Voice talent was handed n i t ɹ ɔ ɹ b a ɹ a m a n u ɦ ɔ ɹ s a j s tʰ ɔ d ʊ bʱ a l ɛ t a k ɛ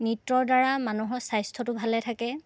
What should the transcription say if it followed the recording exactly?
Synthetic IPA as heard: n i t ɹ ɔ ɹ d a ɹ a m a n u ɦ ɔ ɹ s a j s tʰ ɔ t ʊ bʱ a l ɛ tʰ a k ɛ